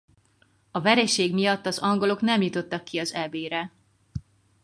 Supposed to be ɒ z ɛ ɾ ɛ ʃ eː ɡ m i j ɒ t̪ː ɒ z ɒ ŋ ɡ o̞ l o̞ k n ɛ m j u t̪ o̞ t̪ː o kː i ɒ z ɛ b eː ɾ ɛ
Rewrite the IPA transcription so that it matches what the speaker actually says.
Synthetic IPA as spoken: ɒ v ɛ ɾ ɛ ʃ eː ɡ m i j ɒ t̪ː ɒ z ɒ ŋ ɡ o̞ l o̞ k n ɛ m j u t̪ o̞ t̪ː ɒ kː i ɒ z ɛ b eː ɾ ɛ